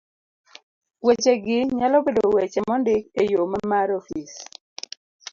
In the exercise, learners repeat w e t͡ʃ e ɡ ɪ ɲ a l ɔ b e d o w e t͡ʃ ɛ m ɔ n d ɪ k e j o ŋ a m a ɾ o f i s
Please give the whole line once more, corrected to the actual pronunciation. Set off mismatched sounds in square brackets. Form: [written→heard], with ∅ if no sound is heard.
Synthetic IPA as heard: w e t͡ʃ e ɡ ɪ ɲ a l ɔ b e d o w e t͡ʃ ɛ m ɔ n d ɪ k e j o [ŋ→m] a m a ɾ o f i s